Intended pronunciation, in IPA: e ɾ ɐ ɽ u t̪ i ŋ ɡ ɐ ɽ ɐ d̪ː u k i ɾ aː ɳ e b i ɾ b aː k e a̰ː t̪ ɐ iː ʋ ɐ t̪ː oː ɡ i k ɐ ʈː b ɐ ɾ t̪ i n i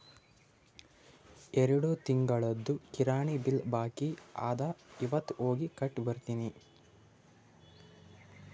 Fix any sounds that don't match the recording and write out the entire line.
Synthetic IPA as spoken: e ɾ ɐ ɽ u t̪ i ŋ ɡ ɐ ɭ ɐ d̪ː u k i ɾ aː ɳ i b i l b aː k i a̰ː d̪ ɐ i ʋ ɐ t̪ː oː ɡ i k ɐ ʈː b ɐ ɾ t̪ i n i